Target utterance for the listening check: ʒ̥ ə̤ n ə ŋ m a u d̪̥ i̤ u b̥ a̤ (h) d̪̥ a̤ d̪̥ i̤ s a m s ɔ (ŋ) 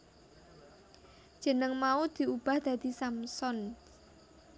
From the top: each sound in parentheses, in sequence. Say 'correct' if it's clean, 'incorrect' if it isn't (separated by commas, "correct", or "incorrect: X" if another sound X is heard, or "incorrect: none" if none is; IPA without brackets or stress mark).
correct, incorrect: n